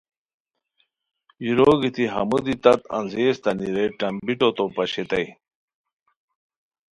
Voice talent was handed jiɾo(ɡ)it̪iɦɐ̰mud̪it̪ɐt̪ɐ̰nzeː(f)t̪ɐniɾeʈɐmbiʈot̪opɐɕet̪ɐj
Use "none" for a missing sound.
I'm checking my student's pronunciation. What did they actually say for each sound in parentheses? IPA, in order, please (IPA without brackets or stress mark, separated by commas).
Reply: ɡ, s